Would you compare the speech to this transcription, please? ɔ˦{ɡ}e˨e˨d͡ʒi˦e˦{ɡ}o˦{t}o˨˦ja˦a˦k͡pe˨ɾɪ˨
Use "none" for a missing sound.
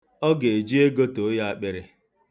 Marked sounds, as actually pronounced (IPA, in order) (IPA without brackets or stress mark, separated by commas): ɡ, ɡ, t